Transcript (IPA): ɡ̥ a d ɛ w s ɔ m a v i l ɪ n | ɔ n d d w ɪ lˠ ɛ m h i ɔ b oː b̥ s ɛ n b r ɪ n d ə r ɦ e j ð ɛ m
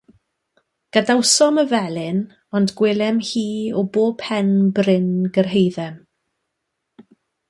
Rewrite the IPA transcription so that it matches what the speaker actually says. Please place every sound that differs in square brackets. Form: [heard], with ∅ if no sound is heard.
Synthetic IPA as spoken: ɡ̥ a d [a] w s ɔ m [ə] v [ɛ] l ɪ n | ɔ n d [ɡ] w ɪ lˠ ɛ m h [iː] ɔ b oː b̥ [h] ɛ n b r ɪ n [ɡ] ə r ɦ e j ð ɛ m